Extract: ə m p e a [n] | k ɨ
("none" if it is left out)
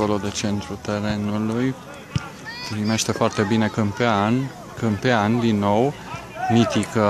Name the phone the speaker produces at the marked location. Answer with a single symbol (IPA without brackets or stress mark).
n